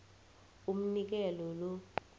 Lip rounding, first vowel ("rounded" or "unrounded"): rounded